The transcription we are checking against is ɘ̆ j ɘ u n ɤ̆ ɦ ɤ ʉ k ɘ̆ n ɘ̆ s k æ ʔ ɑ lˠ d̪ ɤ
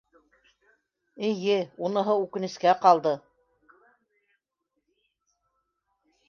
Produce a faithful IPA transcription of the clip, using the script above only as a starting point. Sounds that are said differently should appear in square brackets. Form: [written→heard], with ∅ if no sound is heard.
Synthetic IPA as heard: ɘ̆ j ɘ u n ɤ̆ ɦ ɤ ʉ k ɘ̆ n ɘ̆ s k æ [ʔ→q] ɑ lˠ d̪ ɤ